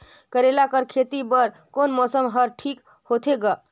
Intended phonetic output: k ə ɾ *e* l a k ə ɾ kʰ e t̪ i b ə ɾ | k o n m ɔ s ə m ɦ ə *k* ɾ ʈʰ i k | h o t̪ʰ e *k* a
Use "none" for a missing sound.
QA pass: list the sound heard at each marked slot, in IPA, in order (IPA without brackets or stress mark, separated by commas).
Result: e, none, ɡ